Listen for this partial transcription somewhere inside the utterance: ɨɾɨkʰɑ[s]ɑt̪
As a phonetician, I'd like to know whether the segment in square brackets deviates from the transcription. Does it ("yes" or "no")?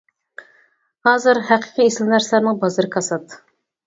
no